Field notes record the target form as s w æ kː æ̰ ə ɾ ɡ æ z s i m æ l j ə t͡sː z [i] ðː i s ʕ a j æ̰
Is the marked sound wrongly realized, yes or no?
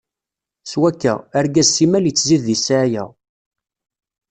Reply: no